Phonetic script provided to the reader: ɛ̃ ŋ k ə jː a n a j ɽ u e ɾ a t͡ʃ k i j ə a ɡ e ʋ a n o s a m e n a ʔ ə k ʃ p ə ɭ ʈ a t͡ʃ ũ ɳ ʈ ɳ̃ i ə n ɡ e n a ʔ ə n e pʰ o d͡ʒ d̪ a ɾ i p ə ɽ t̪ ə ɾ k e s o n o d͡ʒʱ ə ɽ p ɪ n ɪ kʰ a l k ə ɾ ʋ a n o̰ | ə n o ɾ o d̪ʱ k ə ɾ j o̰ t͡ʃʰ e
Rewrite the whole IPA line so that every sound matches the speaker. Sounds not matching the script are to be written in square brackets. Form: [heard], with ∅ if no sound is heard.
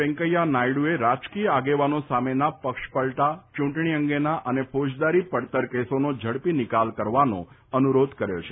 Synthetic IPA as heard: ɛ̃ ŋ k ə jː a n a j ɽ u e ɾ a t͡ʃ k i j ə a ɡ e ʋ a n o s a m e n a [p] ə k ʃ p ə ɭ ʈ a t͡ʃ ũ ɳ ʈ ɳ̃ i ə [ŋ] ɡ e n a ʔ ə n e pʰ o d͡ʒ d̪ a ɾ i p ə ɽ t̪ ə ɾ k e s o n o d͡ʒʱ ə ɽ p [i] n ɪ [k] a l k ə ɾ ʋ a n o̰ | ə n [u] ɾ o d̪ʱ k ə ɾ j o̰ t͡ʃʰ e